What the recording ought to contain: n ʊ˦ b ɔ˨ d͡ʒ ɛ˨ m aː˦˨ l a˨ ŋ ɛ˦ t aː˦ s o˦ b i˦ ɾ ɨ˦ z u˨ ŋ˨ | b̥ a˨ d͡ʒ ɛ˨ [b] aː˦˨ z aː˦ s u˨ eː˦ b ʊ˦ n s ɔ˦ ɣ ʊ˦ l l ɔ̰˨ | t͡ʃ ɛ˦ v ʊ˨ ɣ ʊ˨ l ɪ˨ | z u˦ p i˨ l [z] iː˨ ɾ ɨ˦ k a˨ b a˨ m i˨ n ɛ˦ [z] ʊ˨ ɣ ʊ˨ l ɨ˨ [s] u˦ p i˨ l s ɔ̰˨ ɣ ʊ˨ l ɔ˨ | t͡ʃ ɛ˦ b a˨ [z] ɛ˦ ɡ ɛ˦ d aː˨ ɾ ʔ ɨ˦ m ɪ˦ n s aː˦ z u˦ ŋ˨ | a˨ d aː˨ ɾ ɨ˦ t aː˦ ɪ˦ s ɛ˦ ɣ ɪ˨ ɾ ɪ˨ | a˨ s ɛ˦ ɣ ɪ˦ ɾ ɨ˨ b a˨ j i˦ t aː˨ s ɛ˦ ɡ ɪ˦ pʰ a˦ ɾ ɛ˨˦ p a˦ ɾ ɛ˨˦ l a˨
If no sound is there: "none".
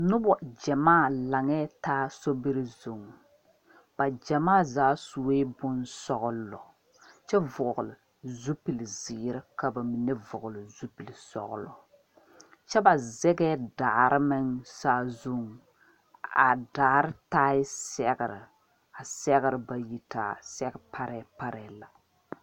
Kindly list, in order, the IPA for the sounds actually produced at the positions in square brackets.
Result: m, z, v, z, z

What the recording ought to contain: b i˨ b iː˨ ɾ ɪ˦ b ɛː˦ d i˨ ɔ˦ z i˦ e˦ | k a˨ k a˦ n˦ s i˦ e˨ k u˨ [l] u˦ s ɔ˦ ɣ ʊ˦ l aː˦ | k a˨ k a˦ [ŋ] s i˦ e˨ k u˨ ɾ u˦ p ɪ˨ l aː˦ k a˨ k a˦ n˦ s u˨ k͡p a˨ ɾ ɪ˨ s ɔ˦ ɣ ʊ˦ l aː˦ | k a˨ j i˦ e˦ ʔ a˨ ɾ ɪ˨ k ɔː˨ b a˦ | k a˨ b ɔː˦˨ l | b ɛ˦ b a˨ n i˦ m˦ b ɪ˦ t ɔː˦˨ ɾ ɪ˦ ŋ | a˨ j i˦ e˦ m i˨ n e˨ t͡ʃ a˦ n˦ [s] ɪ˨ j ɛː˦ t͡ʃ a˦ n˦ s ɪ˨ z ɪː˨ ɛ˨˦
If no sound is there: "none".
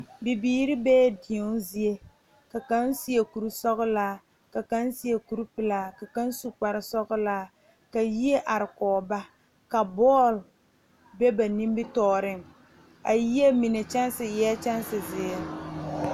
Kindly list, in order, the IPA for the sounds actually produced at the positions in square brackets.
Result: ɾ, n, s

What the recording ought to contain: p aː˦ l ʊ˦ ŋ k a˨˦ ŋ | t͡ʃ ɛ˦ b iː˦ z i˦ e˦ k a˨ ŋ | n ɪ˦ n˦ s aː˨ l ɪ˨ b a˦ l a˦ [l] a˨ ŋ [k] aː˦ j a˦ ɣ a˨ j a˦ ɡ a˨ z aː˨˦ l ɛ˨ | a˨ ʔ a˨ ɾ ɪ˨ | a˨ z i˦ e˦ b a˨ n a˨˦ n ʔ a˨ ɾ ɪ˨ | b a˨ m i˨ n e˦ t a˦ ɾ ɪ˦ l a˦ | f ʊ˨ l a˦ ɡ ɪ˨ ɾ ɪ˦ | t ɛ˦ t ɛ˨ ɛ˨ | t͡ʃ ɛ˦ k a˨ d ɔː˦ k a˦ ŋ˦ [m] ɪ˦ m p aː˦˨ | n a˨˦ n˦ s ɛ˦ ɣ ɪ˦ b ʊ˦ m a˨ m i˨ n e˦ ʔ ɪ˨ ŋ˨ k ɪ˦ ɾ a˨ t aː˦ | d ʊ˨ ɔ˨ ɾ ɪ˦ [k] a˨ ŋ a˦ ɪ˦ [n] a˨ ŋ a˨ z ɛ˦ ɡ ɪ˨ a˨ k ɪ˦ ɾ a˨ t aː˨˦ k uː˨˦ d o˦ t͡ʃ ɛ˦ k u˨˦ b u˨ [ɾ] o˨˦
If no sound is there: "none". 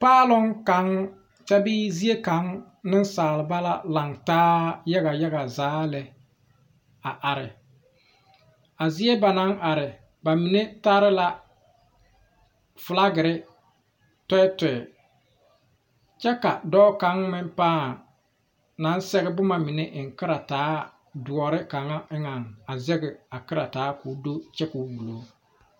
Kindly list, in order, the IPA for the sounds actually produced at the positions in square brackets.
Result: l, t, m, k, ŋ, l

